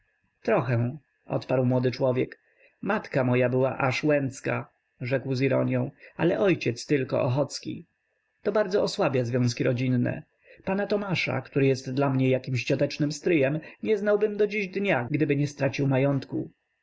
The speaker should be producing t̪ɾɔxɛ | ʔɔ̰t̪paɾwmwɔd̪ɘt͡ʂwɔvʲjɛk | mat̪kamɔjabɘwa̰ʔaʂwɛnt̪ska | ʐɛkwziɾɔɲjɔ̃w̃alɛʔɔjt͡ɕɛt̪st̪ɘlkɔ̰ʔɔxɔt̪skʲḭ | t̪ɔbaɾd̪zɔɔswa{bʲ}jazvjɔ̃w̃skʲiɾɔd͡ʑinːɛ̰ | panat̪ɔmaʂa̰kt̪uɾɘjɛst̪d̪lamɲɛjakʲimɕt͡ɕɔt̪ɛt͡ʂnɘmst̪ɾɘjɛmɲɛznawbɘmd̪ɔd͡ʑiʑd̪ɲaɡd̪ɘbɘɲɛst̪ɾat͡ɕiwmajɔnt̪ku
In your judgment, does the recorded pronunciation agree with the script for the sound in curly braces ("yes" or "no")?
yes